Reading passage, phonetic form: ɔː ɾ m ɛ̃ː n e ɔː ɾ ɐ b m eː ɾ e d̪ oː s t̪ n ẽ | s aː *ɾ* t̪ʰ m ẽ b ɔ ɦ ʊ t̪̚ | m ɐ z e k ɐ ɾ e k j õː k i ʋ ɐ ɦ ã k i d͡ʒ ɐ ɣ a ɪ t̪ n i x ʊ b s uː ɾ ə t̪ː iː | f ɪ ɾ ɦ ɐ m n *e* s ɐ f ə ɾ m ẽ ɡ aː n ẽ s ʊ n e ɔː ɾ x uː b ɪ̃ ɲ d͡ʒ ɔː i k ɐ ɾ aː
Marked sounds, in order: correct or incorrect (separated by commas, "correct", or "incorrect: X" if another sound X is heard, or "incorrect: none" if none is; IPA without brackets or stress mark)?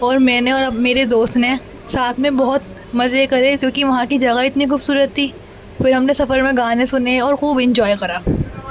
incorrect: none, correct